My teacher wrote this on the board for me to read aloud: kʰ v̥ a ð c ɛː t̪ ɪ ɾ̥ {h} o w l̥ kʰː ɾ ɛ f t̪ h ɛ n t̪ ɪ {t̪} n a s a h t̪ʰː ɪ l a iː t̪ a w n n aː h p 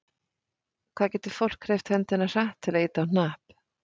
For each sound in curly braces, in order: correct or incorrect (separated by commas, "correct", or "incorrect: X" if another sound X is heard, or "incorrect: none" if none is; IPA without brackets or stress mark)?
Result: incorrect: f, incorrect: none